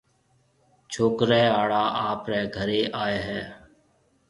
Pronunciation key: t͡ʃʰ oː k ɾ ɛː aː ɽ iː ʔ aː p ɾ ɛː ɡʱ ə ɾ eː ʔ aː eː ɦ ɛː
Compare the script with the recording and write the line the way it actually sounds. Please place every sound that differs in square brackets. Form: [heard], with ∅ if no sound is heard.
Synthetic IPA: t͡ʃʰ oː k ɾ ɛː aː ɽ [aː] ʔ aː p ɾ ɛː ɡʱ ə ɾ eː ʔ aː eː ɦ ɛː